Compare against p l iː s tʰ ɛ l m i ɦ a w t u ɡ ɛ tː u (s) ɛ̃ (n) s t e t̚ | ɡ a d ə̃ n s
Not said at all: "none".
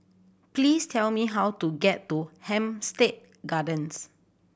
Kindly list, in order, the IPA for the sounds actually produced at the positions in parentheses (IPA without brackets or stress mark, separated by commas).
h, m